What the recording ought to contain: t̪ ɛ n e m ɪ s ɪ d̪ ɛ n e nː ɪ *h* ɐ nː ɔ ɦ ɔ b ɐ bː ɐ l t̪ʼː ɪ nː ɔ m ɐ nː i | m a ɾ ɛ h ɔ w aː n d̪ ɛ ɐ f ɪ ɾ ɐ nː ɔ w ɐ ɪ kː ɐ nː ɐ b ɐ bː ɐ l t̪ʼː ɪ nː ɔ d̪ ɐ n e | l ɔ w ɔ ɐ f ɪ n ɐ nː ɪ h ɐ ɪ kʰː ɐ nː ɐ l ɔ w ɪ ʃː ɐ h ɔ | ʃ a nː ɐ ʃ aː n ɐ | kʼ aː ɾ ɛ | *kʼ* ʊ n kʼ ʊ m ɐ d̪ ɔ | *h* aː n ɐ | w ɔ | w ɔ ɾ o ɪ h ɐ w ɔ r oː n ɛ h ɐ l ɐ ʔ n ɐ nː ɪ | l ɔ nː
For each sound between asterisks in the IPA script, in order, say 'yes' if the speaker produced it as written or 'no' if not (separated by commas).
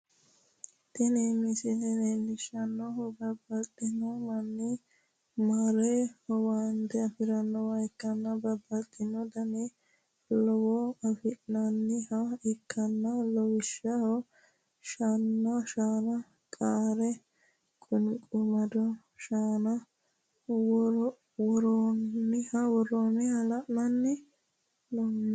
no, yes, no